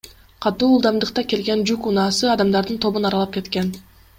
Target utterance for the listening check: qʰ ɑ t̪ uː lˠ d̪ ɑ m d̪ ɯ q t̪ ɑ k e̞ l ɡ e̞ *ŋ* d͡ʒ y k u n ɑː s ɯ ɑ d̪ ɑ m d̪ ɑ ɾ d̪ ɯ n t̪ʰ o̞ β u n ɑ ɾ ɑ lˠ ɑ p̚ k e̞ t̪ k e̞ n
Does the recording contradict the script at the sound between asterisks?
yes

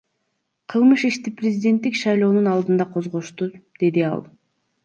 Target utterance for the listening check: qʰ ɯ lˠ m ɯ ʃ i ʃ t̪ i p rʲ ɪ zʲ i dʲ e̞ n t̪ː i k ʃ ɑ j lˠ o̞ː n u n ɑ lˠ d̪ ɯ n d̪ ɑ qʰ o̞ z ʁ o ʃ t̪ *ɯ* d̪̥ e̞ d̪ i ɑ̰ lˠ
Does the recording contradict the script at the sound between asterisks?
yes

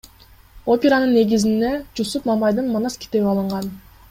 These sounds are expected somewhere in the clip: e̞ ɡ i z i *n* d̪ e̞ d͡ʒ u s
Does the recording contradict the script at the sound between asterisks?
no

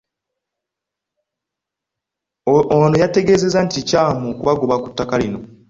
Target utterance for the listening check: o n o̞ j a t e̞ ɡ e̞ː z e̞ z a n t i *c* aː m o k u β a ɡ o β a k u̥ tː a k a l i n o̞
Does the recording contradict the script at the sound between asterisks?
no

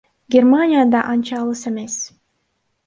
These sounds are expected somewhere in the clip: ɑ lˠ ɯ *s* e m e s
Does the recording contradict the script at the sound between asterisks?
no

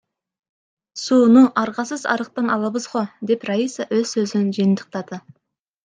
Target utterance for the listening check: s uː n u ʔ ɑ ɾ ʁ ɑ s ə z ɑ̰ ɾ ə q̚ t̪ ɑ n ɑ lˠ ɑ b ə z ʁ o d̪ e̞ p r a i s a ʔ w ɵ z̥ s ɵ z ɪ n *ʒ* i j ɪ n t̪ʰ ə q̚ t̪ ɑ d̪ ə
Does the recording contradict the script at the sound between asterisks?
no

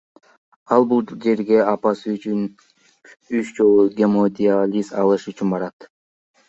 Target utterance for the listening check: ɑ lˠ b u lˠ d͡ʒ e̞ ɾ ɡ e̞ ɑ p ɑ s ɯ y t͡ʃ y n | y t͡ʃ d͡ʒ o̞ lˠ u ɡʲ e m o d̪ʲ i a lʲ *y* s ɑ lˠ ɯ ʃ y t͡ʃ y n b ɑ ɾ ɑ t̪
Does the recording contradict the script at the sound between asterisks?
yes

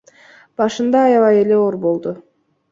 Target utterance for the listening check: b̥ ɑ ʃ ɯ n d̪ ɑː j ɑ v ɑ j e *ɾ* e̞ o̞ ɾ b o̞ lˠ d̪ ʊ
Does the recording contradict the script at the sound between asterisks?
yes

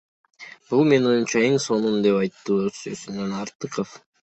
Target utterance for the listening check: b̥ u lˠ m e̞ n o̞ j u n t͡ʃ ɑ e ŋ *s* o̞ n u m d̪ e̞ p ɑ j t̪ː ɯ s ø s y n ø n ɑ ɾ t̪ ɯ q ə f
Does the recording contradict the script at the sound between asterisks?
no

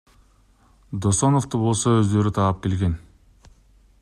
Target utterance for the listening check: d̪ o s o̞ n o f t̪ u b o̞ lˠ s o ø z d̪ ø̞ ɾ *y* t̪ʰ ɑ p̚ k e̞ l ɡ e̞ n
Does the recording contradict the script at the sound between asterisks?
no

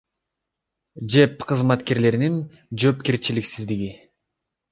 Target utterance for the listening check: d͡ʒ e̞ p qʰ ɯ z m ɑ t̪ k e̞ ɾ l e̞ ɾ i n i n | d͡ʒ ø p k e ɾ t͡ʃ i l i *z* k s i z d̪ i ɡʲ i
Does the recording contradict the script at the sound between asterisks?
yes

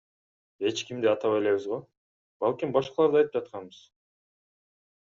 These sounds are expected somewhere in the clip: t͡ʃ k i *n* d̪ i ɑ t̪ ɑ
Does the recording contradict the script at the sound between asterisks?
yes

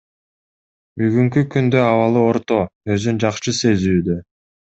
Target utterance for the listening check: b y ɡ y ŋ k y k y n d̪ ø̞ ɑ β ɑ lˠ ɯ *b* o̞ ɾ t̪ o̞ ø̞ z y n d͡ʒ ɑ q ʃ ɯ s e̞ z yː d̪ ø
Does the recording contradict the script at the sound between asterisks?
yes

